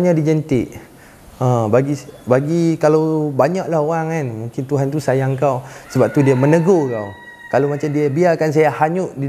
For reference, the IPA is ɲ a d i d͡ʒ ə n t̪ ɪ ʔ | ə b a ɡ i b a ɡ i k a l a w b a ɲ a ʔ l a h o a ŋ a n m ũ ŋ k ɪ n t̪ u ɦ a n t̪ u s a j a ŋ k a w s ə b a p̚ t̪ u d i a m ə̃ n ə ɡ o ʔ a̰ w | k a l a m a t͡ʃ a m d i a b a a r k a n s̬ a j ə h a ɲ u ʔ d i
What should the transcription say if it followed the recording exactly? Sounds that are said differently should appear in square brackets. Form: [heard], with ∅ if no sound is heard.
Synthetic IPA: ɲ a d i d͡ʒ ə n t̪ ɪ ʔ | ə b a ɡ i b a ɡ i k a l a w b a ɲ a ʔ l a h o a ŋ a n m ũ ŋ k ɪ n t̪ u ɦ a n t̪ u s a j a ŋ k a w s ə b a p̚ t̪ u d i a m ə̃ n ə ɡ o [k] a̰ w | k a l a m a t͡ʃ a m d i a b [i] a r k a n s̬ a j [a] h a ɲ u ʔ d i